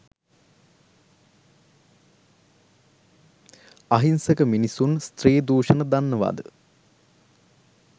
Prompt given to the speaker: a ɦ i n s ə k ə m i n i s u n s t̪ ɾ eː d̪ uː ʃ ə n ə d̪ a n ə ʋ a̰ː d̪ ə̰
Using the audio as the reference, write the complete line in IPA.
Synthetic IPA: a ɦ i n s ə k ə m i n i s u n s t̪ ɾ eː d̪ uː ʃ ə n ə d̪ a nː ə ʋ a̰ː d̪ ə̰

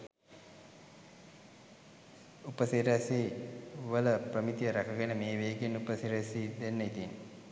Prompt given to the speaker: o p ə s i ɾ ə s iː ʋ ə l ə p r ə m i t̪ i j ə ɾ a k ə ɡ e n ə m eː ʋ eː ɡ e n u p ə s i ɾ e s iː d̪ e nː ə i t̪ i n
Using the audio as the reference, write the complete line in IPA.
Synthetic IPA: u p ə s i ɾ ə s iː ʋ ə l ə p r ə m i t̪ i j ə ɾ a k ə ɡ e n ə m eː ʋ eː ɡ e n u p ə s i ɾ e s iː d̪ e nː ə i t̪ i n

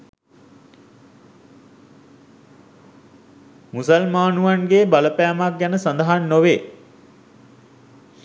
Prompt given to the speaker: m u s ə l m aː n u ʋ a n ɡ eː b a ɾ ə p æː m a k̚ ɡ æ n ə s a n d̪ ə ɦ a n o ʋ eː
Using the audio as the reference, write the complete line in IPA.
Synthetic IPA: m u s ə l m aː n u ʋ a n ɡ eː b a l ə p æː m a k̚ ɡ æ n ə s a n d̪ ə ɦ a nː o ʋ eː

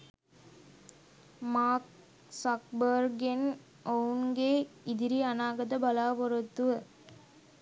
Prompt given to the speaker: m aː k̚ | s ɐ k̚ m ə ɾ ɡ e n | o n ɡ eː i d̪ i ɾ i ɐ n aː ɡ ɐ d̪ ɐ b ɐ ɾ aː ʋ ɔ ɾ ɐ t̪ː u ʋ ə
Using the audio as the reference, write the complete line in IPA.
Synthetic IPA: m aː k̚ | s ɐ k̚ b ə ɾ ɡ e n | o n ɡ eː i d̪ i ɾ i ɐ n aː ɡ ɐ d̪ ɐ b ɐ l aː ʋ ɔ ɾ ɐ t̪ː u ʋ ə

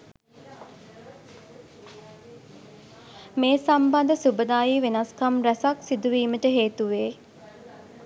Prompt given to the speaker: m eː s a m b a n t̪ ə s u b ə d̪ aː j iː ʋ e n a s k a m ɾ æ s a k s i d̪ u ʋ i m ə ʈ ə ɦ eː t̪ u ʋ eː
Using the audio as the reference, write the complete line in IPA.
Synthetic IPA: m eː s a m b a n d̪ ə s u b ə d̪ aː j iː ʋ e n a s k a m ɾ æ s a k s i d̪ u ʋ iː m ə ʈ ə ɦ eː t̪ u ʋ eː

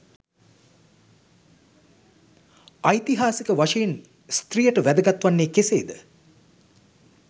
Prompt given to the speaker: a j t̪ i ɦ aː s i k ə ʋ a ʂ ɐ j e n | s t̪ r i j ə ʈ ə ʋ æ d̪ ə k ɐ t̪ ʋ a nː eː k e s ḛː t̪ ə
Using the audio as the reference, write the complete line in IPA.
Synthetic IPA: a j t̪ i ɦ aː s i k ə ʋ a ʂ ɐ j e n | s t̪ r i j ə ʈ ə ʋ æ d̪ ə ɡ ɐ t̪ ʋ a nː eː k e s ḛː d̪ ə

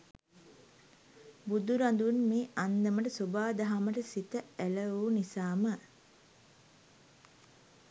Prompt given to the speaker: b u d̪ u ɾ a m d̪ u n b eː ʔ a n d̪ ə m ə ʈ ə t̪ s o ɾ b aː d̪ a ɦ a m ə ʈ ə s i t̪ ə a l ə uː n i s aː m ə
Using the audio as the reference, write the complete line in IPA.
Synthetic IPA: b u d̪ u ɾ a n d̪ u n m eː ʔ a n d̪ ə m ə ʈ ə s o b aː d̪ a ɦ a m ə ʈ ə s i t̪ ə æ l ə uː n i s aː m ə

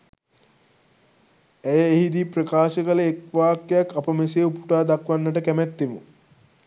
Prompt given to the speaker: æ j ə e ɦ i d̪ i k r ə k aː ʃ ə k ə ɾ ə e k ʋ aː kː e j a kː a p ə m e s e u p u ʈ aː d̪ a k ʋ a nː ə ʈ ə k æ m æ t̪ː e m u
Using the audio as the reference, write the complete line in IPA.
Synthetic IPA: æ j ə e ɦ i d̪ i p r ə k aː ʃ ə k ə l ə e k ʋ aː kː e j a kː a p ə m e s e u p u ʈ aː d̪ a k ʋ a nː ə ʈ ə k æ m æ t̪ː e m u

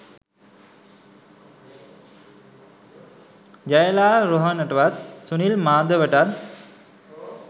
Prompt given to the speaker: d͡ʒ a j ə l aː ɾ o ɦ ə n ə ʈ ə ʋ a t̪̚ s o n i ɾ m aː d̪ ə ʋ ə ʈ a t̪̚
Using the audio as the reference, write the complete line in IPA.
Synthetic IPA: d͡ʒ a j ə l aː ɾ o ɦ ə n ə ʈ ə ʋ a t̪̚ s u n i l m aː d̪ ə ʋ ə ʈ a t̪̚

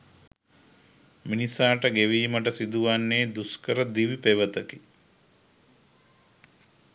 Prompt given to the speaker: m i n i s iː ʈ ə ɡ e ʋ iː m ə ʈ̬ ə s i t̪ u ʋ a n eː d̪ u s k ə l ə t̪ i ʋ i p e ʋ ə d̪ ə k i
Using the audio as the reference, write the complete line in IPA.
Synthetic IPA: m i n i s aː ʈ ə ɡ e ʋ iː m ə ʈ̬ ə s i d̪ u ʋ a nː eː d̪ u s k ə ɾ ə d̪ i ʋ i p e ʋ ə t̪ ə k i

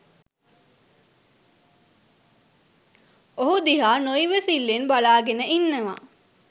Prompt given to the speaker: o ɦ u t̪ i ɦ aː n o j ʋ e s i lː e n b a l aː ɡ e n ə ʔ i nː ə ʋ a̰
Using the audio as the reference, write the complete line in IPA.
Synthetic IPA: o ɦ u d̪ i ɦ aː n o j ʋ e s i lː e n b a l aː ɡ e n ə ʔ i nː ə ʋ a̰

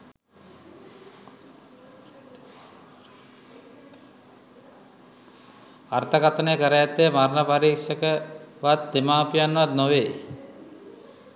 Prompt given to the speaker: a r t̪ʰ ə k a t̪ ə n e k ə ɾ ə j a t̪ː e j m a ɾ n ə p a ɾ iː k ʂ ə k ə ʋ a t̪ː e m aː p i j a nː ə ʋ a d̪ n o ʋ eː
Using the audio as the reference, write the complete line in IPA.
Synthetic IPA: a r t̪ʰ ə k a t̪ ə n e k ə ɾ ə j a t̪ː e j m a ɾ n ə p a ɾ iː k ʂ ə k ə ʋ a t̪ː e m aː p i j a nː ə ʋ a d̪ n o ʋ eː

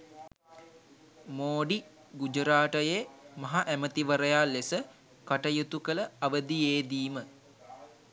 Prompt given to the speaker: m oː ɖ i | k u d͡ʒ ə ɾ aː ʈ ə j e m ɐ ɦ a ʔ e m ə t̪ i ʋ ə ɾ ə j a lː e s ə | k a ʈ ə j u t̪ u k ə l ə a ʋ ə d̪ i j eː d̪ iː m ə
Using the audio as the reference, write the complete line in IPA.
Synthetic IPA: m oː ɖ i | ɡ u d͡ʒ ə ɾ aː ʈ ə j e m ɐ ɦ a ʔ æ m ə t̪ i ʋ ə ɾ ə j a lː e s ə | k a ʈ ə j u t̪ u k ə l ə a ʋ ə d̪ i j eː d̪ iː m ə

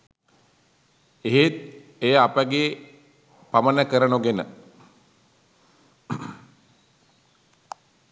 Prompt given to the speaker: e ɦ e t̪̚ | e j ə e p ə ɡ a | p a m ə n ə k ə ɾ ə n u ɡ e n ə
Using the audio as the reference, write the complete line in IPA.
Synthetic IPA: e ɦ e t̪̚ | e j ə a p ə ɡ e | p a m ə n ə k ə ɾ ə n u ɡ e n ə

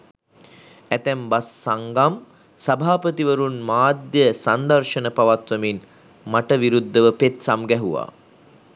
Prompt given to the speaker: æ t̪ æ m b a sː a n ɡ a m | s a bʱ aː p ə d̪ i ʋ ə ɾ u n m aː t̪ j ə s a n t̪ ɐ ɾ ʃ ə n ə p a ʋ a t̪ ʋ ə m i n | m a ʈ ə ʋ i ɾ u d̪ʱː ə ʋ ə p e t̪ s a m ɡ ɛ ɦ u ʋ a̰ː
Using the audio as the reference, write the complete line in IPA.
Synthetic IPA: æ t̪ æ m b a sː a ŋ ɡ a m | s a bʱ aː p ə t̪ i ʋ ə ɾ u n m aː d̪ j ə s a n d̪ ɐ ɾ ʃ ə n ə p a ʋ a t̪ ʋ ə m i n | m a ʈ ə ʋ i ɾ u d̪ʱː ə ʋ ə p e t̪ s a m ɡ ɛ ɦ u ʋ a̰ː

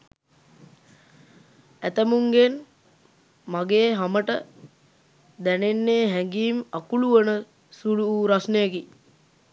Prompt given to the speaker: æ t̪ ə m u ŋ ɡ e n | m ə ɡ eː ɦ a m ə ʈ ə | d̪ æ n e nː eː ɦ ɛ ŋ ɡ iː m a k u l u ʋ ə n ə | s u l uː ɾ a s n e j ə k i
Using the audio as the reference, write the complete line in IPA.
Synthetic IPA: æ t̪ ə m u ŋ ɡ e n | m a ɡ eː ɦ a m ə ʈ ə | d̪ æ n e nː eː ɦ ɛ ŋ ɡ iː m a k u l u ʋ ə n ə | s u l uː ɾ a s n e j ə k i

